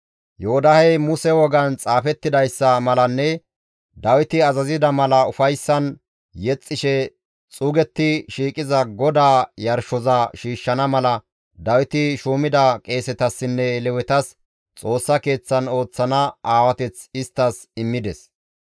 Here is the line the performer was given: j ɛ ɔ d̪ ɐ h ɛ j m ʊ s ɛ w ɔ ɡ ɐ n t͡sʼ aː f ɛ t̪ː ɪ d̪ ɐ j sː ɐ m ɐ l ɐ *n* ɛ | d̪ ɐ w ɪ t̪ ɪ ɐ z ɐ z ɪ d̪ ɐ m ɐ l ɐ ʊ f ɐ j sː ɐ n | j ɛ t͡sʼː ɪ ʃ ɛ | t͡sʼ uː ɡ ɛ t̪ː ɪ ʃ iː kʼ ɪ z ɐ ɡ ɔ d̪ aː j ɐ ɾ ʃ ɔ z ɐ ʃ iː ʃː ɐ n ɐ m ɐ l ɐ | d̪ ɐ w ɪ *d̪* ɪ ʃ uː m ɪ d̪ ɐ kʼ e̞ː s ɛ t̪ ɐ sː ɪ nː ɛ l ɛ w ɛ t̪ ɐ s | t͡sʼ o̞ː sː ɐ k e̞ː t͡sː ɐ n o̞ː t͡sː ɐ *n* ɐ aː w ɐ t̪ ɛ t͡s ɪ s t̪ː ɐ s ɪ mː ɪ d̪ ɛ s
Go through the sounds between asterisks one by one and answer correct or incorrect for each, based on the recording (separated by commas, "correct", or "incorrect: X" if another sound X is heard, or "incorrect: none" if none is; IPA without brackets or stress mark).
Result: incorrect: nː, incorrect: t̪, correct